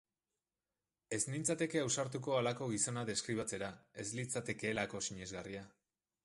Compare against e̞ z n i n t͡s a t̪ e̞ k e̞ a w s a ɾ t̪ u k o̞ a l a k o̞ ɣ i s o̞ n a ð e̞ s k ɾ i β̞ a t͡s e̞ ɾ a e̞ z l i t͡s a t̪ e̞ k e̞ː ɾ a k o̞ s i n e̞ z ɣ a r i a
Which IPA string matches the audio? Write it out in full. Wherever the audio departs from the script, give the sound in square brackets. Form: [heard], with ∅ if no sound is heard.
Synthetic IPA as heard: e̞ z n i n t͡s a t̪ e̞ k e̞ a w s a ɾ t̪ u k o̞ a l a k o̞ ɣ i s o̞ n a ð e̞ s k ɾ i β̞ a t͡s e̞ ɾ a e̞ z l i t͡s a t̪ e̞ k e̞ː [l] a k o̞ s i [ɲ] e̞ z ɣ a r i a